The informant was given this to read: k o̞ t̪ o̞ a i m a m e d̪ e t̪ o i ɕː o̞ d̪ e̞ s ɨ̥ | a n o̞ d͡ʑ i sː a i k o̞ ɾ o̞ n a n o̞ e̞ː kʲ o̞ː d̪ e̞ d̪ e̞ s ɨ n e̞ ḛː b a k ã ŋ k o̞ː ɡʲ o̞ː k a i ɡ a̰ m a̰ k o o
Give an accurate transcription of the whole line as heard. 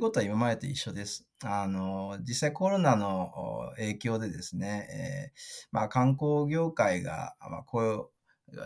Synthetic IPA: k o̞ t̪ o̞ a i m a m a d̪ e t̪ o i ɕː o̞ d̪ e̞ s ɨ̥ | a n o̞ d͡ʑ i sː a i k o̞ ɾ o̞ n a n o̞ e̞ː kʲ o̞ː d̪ e̞ d̪ e̞ s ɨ n e̞ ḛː m a k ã ŋ k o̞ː ɡʲ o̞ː k a i ɡ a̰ m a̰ k o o